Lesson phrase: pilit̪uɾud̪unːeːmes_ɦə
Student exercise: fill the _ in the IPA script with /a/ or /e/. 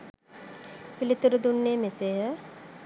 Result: e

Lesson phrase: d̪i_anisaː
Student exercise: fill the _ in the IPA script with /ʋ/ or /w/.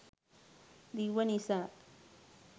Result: w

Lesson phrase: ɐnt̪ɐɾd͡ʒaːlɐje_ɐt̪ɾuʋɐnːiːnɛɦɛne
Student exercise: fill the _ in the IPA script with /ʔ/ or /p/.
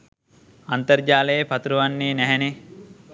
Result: p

